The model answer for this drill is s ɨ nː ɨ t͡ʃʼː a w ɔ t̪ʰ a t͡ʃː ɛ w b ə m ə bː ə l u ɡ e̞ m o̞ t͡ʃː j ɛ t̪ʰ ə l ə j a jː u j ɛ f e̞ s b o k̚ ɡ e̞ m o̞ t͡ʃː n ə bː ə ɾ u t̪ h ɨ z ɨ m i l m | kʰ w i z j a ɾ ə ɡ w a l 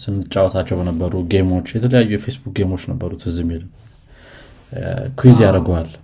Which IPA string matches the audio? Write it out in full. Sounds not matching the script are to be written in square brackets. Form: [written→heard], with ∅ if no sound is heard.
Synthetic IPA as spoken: s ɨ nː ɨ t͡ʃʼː a w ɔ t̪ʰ a t͡ʃː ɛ w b ə [m→n] ə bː ə [l→ɾ] u ɡ e̞ m o̞ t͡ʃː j ɛ t̪ʰ ə l ə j a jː u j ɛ f e̞ s b [o→u] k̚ ɡ e̞ m o̞ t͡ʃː n ə bː ə ɾ u t̪ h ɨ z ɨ m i l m | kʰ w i z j a ɾ ə ɡ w a l